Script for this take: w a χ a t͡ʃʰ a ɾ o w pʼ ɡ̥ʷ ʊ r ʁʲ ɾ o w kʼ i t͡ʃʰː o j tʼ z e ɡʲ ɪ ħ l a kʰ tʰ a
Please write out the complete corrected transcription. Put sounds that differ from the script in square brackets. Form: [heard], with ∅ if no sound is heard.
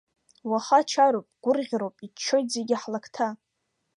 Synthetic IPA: w a χ a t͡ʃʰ a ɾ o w pʼ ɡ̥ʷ ʊ r ʁʲ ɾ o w [pʼ] i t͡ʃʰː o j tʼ z e ɡʲ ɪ ħ l a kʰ tʰ a